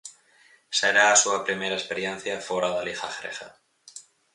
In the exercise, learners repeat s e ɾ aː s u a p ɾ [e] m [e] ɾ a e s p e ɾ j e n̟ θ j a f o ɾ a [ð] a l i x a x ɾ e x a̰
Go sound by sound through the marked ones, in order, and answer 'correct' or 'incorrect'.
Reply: incorrect: i, correct, correct

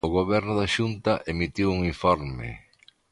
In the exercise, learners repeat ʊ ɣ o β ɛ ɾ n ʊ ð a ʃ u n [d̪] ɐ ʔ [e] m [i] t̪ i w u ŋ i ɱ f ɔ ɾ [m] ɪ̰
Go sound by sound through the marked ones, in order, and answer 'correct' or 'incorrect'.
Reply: incorrect: t̪, correct, correct, correct

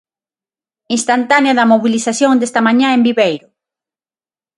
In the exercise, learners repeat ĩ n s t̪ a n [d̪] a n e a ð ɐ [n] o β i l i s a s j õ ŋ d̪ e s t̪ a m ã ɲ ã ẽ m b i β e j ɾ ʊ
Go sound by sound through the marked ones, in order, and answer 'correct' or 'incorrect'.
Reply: incorrect: t̪, incorrect: m

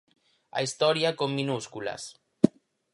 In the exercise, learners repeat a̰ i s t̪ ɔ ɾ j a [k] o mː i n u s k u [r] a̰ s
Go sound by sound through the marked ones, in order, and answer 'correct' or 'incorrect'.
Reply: correct, incorrect: l

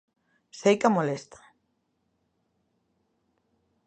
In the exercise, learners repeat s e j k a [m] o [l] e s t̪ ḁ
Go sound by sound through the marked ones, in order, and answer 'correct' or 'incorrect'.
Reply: correct, correct

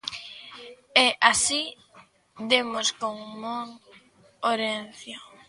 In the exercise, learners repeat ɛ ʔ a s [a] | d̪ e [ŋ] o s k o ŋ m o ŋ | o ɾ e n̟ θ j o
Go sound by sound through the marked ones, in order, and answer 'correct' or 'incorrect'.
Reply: incorrect: i, incorrect: m

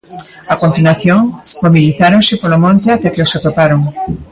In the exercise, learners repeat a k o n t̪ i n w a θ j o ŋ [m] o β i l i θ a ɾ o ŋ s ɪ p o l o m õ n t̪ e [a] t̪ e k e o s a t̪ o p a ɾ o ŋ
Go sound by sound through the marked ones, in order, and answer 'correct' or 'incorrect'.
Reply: correct, correct

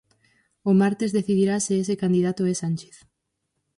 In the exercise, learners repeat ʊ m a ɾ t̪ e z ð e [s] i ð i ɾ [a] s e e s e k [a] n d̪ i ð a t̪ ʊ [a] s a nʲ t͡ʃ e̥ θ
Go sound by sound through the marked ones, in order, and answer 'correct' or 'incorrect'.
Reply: incorrect: θ, correct, correct, incorrect: ɛ

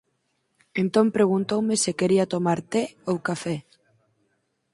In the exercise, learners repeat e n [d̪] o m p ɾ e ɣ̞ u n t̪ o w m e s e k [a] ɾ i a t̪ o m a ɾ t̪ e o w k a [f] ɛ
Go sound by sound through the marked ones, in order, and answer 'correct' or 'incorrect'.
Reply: incorrect: t̪, incorrect: e, correct

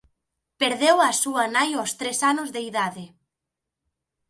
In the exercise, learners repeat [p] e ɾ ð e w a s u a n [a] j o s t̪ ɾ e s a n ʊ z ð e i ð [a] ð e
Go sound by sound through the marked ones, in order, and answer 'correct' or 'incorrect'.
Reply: correct, correct, correct

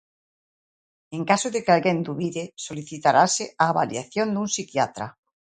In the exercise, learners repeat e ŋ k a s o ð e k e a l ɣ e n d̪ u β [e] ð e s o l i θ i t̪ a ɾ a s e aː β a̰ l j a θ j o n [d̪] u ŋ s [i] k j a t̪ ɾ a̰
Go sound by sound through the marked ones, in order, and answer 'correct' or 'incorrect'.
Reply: incorrect: i, correct, correct

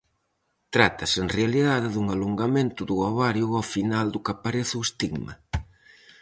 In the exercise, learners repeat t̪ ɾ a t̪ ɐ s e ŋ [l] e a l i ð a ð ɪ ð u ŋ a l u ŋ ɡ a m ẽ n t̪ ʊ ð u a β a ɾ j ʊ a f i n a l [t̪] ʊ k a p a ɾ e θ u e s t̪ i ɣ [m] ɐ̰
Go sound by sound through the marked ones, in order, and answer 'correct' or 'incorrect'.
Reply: incorrect: r, incorrect: d̪, correct

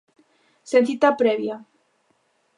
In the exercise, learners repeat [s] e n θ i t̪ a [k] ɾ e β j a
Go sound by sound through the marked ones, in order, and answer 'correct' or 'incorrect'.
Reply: correct, incorrect: p

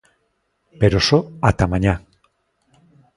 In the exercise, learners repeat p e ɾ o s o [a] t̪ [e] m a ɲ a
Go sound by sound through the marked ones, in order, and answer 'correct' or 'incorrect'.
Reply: correct, incorrect: a

